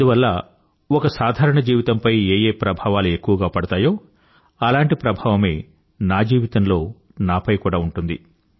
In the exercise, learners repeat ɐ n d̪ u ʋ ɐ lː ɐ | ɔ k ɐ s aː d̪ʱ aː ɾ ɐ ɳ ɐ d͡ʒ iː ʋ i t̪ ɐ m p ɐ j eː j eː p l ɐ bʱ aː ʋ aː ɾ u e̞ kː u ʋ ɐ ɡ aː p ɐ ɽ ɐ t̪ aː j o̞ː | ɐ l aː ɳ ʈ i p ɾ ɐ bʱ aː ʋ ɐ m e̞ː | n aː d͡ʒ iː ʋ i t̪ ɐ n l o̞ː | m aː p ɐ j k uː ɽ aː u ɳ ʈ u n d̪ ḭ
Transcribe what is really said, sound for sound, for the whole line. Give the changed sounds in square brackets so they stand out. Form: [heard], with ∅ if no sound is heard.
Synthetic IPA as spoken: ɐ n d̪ u ʋ ɐ lː ɐ | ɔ k ɐ s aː d̪ʱ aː ɾ ɐ ɳ ɐ d͡ʒ iː ʋ i t̪ ɐ m p ɐ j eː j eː p [ɾ] ɐ bʱ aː ʋ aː [l] u e̞ kː u ʋ ɐ ɡ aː p ɐ ɽ ɐ t̪ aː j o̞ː | ɐ l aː ɳ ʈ i p ɾ ɐ bʱ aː ʋ ɐ m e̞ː | n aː d͡ʒ iː ʋ i t̪ ɐ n l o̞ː | [n] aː p ɐ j k uː ɽ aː u ɳ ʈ u n d̪ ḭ